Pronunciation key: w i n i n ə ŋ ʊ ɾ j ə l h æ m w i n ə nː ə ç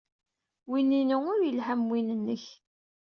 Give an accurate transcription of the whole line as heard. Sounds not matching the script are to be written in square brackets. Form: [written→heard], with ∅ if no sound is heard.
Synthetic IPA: w i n i n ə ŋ ʊ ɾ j ə l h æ m w i n ə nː ə ç